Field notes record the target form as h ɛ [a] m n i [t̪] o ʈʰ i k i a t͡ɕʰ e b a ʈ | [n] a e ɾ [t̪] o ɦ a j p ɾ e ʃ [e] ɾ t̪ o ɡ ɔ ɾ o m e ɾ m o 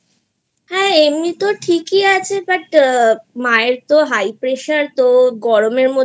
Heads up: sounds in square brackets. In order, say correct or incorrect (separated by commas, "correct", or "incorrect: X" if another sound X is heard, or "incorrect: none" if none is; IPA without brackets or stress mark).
incorrect: e, correct, incorrect: m, correct, incorrect: a